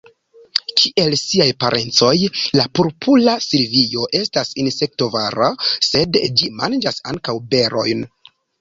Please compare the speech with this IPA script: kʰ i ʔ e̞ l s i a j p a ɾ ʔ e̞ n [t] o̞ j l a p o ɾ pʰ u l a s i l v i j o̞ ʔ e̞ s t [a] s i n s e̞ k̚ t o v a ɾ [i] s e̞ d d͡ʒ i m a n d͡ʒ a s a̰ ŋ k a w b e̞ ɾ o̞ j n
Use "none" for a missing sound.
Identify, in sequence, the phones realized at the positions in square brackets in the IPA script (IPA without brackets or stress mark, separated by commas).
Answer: t͡s, a, a